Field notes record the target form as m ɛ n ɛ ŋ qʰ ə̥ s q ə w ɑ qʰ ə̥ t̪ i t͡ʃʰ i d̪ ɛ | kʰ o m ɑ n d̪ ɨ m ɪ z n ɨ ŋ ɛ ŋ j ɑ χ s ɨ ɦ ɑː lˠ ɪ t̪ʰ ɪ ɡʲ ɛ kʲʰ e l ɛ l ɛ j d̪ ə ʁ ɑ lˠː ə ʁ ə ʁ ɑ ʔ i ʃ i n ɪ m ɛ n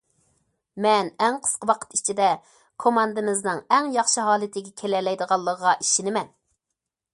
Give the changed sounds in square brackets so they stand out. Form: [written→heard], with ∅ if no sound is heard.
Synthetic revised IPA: m ɛ n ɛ ŋ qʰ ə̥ s q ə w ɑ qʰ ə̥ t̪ i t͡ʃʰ i d̪ ɛ | kʰ o m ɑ n d̪ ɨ m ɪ z n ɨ ŋ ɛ ŋ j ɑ χ [s→ʃ] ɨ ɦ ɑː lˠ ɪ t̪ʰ ɪ ɡʲ ɛ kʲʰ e l ɛ l ɛ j d̪ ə ʁ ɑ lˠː ə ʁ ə ʁ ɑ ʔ i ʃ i n ɪ m ɛ n